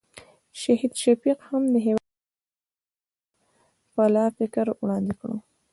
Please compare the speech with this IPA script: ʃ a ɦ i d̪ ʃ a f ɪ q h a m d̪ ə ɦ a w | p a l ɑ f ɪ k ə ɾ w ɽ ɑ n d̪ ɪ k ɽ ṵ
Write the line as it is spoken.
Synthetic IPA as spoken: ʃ a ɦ i d̪ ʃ a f i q h a m d̪ ə ɦ e w | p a l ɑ f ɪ k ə ɾ w ɽ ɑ n d̪ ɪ k ɽ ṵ